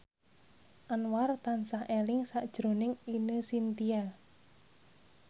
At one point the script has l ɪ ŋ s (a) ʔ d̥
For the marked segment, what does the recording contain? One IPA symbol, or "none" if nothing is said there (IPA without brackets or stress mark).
a